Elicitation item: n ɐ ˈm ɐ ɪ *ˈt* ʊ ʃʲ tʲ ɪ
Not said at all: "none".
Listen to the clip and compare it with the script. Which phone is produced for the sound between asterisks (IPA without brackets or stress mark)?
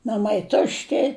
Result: t